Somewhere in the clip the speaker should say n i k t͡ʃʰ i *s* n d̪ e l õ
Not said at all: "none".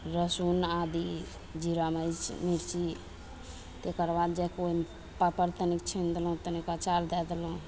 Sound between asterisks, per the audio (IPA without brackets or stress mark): none